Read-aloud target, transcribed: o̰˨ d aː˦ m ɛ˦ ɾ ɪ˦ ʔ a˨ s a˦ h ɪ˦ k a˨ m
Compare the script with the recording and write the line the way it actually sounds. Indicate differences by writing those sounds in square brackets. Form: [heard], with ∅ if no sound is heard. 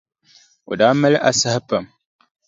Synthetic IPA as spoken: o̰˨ d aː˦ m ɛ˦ [l] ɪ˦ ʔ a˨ s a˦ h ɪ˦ [p] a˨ m